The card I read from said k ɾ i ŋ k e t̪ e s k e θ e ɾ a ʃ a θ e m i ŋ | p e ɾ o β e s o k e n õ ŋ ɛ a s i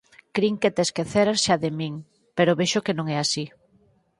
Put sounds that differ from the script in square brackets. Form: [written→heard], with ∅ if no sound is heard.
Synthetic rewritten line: k ɾ i ŋ k e t̪ e s k e θ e ɾ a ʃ a [θ→ð] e m i ŋ | p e ɾ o β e [s→ʃ] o k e n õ ŋ ɛ a s i